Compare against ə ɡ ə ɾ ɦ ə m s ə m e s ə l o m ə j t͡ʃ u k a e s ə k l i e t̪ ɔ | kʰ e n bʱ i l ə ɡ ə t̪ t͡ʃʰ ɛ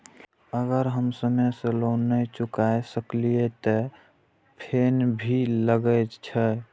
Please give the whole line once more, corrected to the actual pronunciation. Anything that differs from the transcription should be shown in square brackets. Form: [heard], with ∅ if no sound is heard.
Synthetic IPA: ə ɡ ə ɾ ɦ ə m s ə m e s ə l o [n] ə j t͡ʃ u k a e s ə k l i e t̪ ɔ | [pʰ] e n bʱ i l ə ɡ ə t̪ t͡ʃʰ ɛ